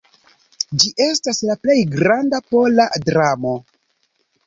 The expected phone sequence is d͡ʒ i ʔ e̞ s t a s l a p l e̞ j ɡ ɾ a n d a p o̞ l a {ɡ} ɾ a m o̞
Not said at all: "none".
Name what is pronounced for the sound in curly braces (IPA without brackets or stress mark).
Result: d